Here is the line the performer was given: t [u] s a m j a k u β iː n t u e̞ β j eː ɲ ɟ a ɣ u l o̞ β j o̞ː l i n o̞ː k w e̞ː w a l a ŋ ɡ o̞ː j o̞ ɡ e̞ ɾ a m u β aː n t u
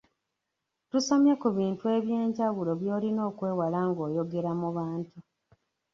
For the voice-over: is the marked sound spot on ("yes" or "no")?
yes